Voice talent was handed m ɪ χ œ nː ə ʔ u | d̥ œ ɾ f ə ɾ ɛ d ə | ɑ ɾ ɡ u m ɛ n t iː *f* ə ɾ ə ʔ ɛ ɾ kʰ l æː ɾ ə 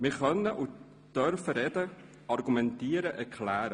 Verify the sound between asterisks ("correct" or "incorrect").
incorrect